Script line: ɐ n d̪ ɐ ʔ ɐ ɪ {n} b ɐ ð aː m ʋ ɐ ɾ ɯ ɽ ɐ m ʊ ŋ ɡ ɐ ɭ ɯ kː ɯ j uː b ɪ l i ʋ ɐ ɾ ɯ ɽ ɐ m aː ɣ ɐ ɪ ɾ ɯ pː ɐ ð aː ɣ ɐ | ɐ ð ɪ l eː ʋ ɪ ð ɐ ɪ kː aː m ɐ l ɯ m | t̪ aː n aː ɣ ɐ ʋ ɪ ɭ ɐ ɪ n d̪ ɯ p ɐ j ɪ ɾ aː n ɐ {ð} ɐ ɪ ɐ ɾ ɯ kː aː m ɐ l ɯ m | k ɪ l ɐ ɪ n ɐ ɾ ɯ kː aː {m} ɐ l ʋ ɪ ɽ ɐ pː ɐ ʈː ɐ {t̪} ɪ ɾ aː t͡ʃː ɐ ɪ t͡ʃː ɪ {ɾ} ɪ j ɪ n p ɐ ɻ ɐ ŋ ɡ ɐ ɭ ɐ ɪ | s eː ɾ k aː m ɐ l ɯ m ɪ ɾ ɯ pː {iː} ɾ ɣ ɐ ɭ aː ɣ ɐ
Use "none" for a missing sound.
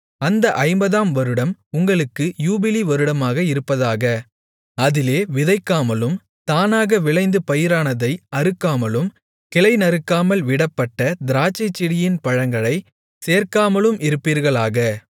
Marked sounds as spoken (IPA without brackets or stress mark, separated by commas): m, ð, m, d̪, ɽ, iː